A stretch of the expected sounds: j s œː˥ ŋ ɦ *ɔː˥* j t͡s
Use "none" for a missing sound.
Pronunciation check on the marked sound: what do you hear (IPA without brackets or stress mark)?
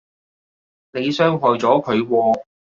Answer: ɔː˨